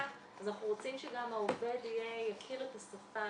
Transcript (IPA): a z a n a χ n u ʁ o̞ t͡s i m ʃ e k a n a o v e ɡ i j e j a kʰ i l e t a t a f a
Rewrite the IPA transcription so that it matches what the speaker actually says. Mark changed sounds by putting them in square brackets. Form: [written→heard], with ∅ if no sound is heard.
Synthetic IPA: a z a n a χ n u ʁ o̞ t͡s i m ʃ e [k→ɡ] a [n→m] a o v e [ɡ→d] i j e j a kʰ i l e t a [t→s] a f a